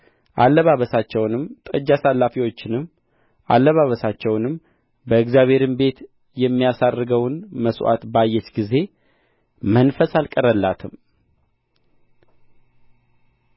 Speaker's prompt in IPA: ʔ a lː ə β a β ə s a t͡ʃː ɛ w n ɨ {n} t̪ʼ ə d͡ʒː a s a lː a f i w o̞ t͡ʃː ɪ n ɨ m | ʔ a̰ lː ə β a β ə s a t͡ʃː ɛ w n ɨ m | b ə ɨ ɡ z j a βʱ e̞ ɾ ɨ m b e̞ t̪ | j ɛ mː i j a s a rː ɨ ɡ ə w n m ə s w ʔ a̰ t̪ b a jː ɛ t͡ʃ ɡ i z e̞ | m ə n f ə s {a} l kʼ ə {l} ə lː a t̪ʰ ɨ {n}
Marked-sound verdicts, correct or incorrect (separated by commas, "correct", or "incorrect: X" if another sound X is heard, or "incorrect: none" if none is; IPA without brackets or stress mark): incorrect: m, correct, incorrect: ɾ, incorrect: m